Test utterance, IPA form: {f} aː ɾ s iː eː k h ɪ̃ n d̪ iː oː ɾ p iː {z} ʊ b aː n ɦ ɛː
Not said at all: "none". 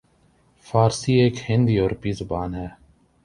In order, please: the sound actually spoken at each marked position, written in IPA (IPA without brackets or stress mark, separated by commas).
f, z